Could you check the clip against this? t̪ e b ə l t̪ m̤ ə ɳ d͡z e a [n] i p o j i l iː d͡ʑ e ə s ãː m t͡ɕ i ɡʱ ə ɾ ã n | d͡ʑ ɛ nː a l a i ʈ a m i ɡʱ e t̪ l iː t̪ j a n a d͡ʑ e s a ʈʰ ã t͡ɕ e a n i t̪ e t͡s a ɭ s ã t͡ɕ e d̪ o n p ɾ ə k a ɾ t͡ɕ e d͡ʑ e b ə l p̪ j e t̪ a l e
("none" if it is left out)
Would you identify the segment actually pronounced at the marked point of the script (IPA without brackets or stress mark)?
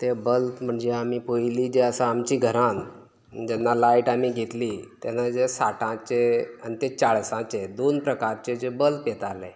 m